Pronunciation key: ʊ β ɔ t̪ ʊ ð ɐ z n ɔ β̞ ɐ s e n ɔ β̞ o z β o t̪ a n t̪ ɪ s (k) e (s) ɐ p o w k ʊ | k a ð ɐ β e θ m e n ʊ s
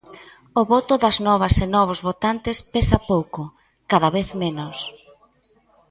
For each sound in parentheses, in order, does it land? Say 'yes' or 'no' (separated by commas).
no, yes